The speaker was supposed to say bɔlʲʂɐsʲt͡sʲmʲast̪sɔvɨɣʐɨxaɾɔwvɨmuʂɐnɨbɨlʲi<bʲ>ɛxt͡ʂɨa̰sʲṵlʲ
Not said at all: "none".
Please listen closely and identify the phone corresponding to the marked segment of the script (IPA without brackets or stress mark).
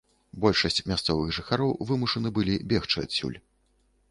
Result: bʲ